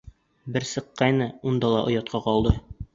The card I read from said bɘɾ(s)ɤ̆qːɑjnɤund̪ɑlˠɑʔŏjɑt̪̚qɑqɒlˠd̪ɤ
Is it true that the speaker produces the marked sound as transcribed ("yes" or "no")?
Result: yes